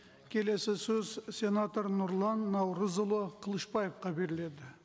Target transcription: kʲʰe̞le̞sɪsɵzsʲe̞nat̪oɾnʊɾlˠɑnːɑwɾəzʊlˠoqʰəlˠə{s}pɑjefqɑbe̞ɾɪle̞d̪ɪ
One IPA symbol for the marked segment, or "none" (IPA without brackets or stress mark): ʃ